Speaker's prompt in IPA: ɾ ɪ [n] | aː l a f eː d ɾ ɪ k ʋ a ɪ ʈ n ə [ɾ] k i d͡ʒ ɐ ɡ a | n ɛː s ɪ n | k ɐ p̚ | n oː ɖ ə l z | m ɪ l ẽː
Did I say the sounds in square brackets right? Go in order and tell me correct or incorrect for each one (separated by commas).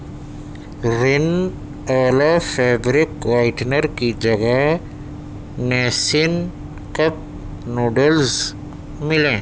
correct, correct